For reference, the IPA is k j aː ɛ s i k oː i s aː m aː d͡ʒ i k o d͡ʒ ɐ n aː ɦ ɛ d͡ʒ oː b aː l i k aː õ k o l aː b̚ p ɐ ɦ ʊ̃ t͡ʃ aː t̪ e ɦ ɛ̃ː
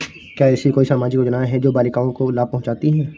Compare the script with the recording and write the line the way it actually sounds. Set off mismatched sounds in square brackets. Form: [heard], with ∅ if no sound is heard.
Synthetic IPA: k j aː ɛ s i k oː i s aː m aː d͡ʒ i k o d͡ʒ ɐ n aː ɦ ɛ d͡ʒ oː b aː l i k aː õ k o l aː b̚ p ɐ ɦ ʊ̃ t͡ʃ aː t̪ [i] ɦ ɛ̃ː